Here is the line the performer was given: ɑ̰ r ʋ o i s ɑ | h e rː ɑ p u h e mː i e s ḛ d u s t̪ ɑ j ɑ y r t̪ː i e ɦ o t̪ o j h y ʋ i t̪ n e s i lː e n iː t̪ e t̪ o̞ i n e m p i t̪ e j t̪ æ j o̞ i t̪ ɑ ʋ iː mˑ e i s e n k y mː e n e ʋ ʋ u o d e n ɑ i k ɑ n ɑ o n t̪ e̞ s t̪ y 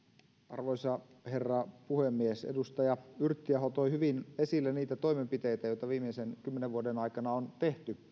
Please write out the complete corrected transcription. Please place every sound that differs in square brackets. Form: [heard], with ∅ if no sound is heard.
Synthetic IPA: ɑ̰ r ʋ o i s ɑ | h e rː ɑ p u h e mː i e s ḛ d u s t̪ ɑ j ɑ y r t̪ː i [æ] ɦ o t̪ o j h y ʋ i [∅] n e s i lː e n iː t̪ [æ] t̪ o̞ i [m] e m p i t̪ e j t̪ æ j o̞ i t̪ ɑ ʋ iː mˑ e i s e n k y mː e n e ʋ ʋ u o d e n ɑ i k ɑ n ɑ o n t̪ e̞ [h] t̪ y

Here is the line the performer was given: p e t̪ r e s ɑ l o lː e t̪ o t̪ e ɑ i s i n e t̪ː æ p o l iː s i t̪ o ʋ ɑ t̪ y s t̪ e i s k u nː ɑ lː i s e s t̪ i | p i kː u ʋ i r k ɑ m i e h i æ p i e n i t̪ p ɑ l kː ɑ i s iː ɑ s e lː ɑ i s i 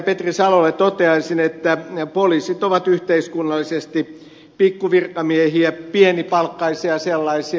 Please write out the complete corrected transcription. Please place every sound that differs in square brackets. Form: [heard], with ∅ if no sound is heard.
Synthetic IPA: p e t̪ r [i] s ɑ l o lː e t̪ o t̪ e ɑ i s i n e t̪ː æ p o l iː s i t̪ o ʋ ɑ t̪ y [h] t̪ e i s k u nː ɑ lː i s e s t̪ i | p i kː u ʋ i r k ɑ m i e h i æ p i e n i [∅] p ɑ l kː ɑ i s [i] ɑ s e lː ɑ i s i

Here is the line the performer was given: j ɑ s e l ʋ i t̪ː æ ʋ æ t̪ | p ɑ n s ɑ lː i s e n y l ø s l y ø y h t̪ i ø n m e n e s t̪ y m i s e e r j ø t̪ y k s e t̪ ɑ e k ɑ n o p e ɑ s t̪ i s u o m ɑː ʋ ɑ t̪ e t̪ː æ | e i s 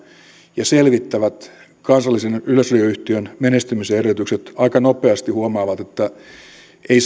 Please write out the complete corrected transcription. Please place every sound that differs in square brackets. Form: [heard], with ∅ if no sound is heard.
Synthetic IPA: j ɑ s e l ʋ i t̪ː æ ʋ æ t̪ | [k] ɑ n s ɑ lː i s e n y l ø s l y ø y h t̪ i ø n m e n e s t̪ y m i s e e r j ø t̪ y k s e t̪ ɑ [i] k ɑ n o p e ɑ s t̪ i [h] u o m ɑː ʋ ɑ t̪ e t̪ː æ | e i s

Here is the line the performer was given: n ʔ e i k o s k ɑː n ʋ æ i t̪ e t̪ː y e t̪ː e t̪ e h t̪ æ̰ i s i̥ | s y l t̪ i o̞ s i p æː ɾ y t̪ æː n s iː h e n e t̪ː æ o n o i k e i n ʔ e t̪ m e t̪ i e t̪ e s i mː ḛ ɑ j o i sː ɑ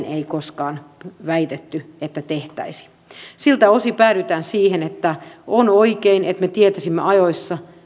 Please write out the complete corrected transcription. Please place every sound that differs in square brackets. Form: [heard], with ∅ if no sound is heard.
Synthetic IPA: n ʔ e i k o s k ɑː n ʋ æ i t̪ e t̪ː y e t̪ː [æ] t̪ e h t̪ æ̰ i s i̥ | s [i] l t̪ [æ] o̞ s i p æː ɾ y t̪ æː n s iː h e n e t̪ː æ o n o i k e i n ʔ e t̪ m e t̪ i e t̪ [æ] s i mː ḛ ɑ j o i sː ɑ

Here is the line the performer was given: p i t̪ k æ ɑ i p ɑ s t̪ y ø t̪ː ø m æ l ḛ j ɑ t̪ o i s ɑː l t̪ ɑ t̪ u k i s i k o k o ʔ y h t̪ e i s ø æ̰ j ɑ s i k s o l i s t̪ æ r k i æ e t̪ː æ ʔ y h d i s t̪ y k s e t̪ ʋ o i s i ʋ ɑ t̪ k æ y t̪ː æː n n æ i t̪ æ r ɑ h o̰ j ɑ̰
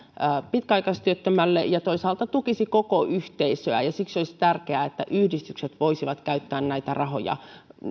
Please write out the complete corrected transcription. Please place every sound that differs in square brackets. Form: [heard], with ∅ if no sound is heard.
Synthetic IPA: p i t̪ k æ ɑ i [k] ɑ s t̪ y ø t̪ː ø m æ [lː] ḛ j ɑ t̪ o i s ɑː l t̪ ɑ t̪ u k i s i k o k o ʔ y h t̪ e i s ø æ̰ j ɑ s i k s o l i s t̪ æ r k [e] æ e t̪ː æ ʔ y h d i s t̪ y k s e t̪ ʋ o i s i ʋ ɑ t̪ k æ y t̪ː æː n n æ i t̪ æ r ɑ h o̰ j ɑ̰

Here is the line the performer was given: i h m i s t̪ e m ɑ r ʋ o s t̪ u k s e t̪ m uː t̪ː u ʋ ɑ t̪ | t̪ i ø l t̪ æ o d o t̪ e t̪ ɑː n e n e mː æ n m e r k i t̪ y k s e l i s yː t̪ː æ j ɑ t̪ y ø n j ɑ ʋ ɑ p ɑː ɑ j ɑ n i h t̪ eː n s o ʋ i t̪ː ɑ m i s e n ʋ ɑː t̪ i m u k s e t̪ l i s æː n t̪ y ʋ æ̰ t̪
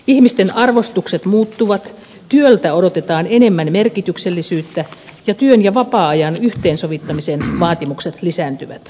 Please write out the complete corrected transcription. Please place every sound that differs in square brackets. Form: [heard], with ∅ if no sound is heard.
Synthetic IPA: i h m i s t̪ e [n] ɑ r ʋ o s t̪ u k s e t̪ m uː t̪ː u ʋ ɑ t̪ | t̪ [y] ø l t̪ æ o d o t̪ e t̪ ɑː n e n e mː æ n m e r k i t̪ y k s e [lː] i s yː t̪ː æ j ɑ t̪ y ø n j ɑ ʋ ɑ p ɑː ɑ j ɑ n [y] h t̪ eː n s o ʋ i t̪ː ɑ m i s e n ʋ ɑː t̪ i m u k s e t̪ l i s æː n t̪ y ʋ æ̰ t̪

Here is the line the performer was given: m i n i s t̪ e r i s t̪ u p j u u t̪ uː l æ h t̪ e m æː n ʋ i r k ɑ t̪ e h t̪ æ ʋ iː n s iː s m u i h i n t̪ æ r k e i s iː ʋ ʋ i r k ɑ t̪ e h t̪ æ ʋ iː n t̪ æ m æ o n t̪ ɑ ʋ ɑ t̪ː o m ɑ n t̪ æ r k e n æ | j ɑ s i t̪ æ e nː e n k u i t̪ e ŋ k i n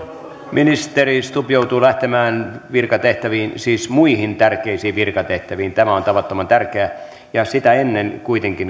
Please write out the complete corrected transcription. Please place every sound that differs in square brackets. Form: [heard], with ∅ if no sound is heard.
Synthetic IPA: m i n i s t̪ e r i s t̪ u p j [o] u t̪ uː l æ h t̪ e m æː n ʋ i r k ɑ t̪ e h t̪ æ ʋ iː n s iː s m u i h i n t̪ æ r k e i s iː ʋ ʋ i r k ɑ t̪ e h t̪ æ ʋ iː n t̪ æ m æ o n t̪ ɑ ʋ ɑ t̪ː o m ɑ n t̪ æ r k e [∅] æ | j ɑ s i t̪ æ e nː e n k u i t̪ e ŋ k i n

